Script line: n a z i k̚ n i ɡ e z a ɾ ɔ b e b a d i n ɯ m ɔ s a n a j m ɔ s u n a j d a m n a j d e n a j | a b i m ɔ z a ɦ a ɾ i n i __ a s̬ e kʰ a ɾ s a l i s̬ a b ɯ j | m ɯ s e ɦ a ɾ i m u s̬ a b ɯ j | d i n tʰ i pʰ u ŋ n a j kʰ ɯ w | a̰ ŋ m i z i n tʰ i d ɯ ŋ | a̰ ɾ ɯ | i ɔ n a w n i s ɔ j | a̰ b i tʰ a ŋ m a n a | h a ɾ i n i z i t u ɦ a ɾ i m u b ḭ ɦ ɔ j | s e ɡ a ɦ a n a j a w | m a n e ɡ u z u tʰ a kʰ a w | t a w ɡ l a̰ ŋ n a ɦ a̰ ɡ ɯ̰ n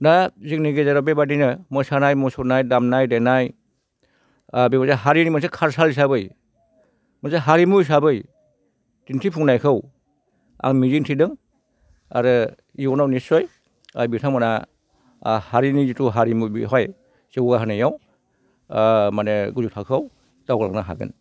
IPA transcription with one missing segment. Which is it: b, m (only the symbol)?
m